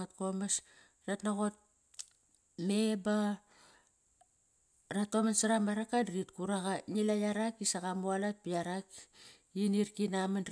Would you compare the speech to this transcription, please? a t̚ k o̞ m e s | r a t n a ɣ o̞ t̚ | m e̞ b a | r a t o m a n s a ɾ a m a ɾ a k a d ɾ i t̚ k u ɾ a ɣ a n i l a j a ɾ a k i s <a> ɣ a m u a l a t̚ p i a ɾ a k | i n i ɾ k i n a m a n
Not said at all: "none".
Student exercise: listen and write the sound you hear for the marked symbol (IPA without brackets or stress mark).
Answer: a